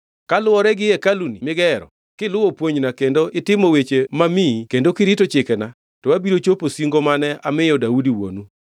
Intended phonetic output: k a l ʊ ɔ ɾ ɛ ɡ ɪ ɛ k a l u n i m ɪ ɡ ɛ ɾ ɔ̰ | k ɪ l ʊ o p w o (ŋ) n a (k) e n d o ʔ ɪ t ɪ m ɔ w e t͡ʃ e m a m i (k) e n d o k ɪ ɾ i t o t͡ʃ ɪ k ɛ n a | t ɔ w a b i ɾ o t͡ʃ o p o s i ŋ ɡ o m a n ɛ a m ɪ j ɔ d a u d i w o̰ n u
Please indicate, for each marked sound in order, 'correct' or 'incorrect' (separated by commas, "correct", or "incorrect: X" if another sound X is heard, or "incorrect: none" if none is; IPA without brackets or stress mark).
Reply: incorrect: ɲ, correct, correct